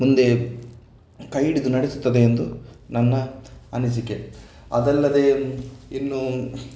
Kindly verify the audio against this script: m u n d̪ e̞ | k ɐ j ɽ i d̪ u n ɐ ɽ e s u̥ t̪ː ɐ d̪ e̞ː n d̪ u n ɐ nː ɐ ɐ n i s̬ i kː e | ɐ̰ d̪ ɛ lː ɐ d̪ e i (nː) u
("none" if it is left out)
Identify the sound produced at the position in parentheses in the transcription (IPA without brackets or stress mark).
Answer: nː